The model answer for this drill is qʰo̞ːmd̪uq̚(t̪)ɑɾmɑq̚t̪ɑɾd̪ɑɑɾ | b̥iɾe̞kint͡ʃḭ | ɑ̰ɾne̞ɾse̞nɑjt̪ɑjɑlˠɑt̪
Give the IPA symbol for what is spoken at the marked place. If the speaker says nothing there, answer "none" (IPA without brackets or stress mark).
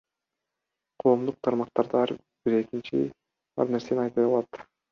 t̪ʰ